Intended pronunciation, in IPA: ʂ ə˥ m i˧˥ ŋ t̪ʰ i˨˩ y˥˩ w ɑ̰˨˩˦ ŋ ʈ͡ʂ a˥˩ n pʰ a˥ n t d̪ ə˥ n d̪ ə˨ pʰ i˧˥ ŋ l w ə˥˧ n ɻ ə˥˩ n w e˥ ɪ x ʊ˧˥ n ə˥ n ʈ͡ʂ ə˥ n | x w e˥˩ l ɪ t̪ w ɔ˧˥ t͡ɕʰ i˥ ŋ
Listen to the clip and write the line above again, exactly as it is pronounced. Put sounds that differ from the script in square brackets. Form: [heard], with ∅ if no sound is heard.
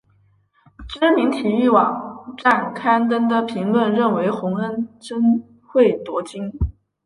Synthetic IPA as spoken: [ʈ͡ʂ] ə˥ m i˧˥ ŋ t̪ʰ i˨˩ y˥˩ w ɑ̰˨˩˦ ŋ ʈ͡ʂ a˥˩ n [kʰ] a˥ n t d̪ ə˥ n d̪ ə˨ pʰ i˧˥ ŋ l w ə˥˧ n ɻ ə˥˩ n w [e˧˥] ɪ x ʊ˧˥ [ŋ] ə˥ n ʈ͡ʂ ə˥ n | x w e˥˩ [∅] ɪ t̪ w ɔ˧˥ [t͡ɕ] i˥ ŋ